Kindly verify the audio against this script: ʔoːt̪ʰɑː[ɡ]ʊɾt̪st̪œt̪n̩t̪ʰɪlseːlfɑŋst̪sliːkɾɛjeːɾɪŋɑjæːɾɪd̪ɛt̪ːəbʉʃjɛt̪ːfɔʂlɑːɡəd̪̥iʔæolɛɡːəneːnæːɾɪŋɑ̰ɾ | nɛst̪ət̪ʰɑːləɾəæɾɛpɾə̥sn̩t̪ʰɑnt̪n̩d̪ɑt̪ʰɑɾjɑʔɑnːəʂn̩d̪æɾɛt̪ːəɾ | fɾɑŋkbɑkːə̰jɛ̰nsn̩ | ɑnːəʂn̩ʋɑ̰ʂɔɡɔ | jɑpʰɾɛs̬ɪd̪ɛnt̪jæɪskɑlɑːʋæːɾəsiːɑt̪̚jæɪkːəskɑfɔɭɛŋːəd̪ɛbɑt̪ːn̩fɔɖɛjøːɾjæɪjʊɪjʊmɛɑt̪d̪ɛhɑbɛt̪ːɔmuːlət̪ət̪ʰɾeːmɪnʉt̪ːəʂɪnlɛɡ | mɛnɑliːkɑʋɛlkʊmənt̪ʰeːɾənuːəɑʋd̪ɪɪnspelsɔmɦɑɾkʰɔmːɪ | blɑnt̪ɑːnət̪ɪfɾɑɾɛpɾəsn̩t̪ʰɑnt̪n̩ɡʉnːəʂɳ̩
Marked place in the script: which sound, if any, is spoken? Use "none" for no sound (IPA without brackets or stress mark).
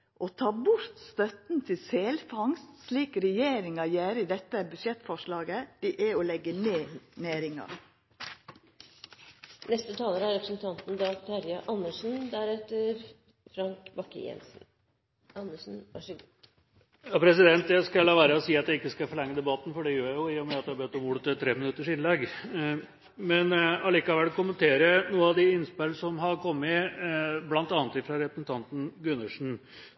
b